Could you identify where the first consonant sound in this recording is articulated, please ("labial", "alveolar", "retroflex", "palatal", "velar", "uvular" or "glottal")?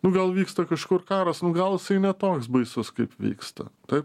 alveolar